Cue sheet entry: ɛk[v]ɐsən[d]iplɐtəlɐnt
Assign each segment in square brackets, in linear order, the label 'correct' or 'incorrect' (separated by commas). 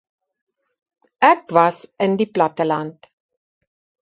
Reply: correct, correct